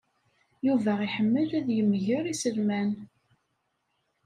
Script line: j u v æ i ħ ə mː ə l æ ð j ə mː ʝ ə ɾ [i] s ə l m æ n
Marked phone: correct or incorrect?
correct